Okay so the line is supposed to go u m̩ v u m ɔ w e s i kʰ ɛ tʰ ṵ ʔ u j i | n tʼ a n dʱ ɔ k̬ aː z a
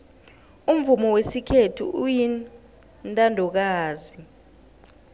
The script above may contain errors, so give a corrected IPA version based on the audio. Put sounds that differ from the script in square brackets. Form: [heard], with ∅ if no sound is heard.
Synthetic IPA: u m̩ v u m ɔ w e s i kʰ [e] tʰ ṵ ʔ u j i | n tʼ a n dʱ ɔ k̬ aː z [i]

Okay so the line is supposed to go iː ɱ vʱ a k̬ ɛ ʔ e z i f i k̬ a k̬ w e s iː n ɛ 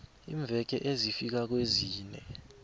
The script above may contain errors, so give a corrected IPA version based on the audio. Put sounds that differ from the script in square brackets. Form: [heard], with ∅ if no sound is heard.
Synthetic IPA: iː ɱ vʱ [ɛ] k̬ ɛ ʔ e z i f i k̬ a k̬ w e [z] iː n ɛ

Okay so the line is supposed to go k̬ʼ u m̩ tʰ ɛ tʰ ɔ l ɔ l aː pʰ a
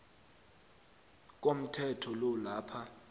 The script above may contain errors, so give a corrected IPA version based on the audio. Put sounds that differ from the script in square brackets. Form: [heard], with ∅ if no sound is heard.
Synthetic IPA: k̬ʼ [o] m̩ tʰ ɛ tʰ ɔ l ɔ l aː pʰ a

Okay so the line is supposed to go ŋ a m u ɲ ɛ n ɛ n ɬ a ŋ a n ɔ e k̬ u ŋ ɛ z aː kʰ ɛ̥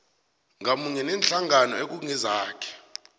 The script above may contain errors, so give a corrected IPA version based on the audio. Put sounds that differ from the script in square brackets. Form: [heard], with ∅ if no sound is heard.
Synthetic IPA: ŋ a m u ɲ ɛ n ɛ n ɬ a ŋ a n ɔ e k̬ u ŋ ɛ z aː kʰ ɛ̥

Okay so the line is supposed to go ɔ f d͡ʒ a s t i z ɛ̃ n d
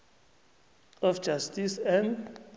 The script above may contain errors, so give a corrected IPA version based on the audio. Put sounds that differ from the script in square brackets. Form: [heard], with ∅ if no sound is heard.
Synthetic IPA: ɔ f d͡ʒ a s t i [s] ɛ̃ n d

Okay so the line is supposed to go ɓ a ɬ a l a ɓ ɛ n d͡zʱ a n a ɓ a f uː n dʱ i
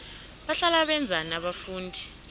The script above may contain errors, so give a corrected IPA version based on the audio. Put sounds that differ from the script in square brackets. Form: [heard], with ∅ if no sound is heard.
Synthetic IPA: ɓ a ɬ a l a ɓ ɛ n d͡zʱ a n a ɓ a f uː n dʱ i

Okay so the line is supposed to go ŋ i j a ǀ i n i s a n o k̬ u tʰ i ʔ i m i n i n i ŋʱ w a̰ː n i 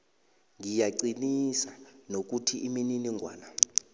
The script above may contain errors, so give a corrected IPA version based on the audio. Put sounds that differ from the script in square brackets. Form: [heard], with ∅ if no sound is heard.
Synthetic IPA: ŋ i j a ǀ i n i s a n o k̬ u tʰ i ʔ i m i n i n i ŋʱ w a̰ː n [a]

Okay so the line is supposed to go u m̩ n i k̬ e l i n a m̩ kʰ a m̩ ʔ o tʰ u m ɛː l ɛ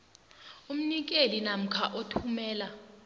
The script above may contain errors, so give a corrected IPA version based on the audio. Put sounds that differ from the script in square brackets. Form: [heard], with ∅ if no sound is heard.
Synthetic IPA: u m̩ n i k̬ e l i n a m̩ kʰ a [∅] ʔ o tʰ u m ɛː l [a]

